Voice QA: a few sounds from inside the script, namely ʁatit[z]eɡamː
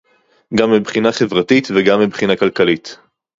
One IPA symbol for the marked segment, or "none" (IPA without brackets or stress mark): v